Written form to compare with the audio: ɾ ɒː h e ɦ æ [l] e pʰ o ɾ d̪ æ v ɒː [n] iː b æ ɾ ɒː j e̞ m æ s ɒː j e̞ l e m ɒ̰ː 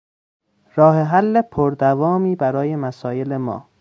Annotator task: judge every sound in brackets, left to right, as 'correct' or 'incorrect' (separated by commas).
incorrect, incorrect